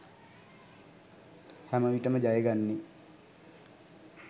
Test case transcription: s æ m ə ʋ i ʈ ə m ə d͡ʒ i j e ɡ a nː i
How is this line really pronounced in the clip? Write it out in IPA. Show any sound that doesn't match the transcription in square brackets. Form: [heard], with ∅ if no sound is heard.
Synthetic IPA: [h] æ m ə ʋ i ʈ ə m ə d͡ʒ [a] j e ɡ a nː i